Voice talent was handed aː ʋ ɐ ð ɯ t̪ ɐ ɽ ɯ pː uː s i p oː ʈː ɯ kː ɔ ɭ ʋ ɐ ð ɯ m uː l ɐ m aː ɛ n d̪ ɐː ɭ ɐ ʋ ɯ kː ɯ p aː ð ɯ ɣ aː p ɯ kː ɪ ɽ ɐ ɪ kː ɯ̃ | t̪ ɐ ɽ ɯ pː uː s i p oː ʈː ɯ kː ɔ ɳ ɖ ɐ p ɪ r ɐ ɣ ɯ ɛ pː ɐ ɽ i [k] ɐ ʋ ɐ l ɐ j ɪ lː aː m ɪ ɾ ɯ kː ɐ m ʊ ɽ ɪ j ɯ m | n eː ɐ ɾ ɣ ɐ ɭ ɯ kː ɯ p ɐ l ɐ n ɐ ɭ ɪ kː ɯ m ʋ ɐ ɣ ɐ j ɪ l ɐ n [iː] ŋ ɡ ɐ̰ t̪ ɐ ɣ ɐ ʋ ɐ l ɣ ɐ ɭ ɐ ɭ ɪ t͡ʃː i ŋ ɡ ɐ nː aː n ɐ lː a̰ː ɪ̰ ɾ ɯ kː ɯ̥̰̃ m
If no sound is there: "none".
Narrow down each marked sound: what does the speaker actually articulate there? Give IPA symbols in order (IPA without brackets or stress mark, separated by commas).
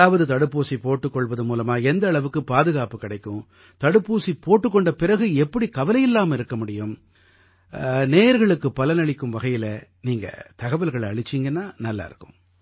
k, iː